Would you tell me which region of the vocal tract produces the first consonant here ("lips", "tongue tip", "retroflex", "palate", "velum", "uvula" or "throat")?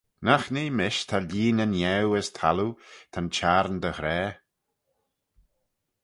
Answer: tongue tip